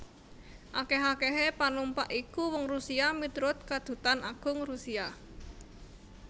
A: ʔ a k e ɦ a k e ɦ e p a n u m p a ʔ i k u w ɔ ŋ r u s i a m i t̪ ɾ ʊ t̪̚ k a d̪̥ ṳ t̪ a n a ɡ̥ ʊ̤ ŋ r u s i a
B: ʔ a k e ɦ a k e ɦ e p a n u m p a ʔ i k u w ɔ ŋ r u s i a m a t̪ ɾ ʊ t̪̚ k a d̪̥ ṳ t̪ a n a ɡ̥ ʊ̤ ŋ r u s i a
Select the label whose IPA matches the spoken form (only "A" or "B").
A